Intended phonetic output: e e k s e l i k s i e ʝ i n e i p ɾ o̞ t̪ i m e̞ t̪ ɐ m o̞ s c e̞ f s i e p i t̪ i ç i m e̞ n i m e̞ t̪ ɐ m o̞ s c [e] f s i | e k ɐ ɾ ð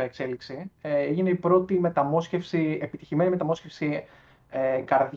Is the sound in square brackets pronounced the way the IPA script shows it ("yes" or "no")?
yes